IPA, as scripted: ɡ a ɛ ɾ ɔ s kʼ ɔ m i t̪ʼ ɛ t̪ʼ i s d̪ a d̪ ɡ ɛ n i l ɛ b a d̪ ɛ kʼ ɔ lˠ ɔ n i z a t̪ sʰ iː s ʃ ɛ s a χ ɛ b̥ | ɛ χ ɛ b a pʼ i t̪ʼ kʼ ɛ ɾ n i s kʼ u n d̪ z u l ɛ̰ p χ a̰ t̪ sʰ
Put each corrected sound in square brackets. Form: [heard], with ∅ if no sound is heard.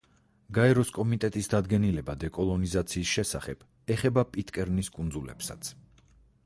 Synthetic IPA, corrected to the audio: ɡ a ɛ ɾ ɔ s kʼ ɔ m i t̪ʼ ɛ t̪ʼ i s d̪ a d̪ ɡ ɛ n i l ɛ b a d̪ ɛ kʼ ɔ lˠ ɔ n i z a t̪ sʰ iː s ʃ ɛ s a χ ɛ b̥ | ɛ χ ɛ b a pʼ i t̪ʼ kʼ ɛ ɾ n i s kʼ u n d̪ z u l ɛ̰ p [s] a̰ t̪ sʰ